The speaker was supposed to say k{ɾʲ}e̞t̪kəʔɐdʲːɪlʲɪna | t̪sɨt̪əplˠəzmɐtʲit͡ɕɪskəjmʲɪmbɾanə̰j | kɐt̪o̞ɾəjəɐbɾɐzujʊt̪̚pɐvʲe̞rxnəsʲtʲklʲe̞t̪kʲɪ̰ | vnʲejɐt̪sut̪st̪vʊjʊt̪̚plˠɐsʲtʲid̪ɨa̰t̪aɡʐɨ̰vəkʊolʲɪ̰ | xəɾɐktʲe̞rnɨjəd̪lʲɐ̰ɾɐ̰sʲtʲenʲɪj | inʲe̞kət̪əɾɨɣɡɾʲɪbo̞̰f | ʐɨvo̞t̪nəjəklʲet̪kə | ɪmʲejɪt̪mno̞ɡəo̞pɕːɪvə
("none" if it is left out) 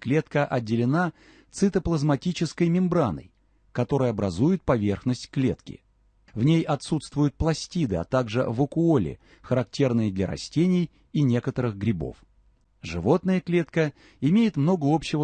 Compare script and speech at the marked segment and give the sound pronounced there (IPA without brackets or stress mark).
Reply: lʲ